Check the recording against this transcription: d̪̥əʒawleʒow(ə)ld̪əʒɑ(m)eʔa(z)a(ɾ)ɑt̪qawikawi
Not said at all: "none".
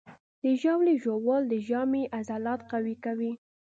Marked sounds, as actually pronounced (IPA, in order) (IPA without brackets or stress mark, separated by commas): ɑ, m, z, l